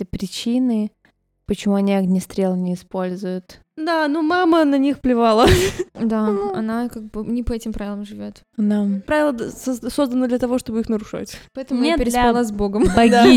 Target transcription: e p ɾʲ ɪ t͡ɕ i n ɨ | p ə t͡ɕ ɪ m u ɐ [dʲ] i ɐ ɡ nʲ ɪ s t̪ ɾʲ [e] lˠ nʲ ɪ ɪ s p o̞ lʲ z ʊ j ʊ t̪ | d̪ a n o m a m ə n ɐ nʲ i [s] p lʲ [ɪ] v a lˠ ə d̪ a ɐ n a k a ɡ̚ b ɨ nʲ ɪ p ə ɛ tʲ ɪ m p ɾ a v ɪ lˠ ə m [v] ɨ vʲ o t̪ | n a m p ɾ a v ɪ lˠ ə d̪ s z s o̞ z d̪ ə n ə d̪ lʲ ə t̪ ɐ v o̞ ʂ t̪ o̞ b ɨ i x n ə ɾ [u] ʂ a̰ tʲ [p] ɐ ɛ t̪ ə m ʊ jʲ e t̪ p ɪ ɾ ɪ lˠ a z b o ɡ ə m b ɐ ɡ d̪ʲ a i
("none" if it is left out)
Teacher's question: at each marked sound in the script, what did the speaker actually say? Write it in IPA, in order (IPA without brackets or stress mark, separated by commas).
nʲ, e, x, ɪ, ʐ, ʊ, p